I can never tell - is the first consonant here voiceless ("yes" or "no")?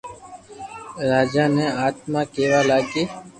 no